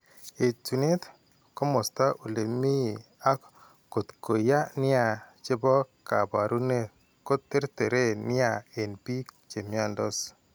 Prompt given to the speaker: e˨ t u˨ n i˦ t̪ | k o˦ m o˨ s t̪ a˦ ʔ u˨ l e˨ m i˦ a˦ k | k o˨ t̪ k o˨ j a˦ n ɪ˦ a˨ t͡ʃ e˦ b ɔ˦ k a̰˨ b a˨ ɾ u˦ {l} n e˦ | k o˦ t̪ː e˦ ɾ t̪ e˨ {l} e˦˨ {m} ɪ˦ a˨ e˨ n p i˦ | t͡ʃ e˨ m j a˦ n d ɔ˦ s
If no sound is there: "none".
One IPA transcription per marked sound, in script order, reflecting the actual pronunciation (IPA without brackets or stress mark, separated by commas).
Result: none, ɾ, n